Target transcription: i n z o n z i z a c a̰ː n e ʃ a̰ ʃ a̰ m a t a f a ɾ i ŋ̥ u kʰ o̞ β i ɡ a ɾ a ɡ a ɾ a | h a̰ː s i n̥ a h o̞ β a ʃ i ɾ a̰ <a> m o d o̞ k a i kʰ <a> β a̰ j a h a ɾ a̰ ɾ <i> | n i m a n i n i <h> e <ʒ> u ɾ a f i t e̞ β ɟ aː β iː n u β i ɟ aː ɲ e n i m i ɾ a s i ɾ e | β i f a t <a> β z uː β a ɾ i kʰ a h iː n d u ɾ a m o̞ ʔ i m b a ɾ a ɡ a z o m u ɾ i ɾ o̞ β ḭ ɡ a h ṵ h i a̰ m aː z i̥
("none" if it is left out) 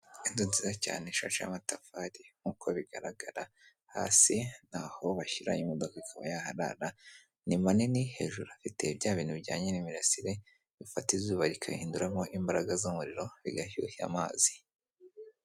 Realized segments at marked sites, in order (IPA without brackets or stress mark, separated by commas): i, a, a, h, ʒ, i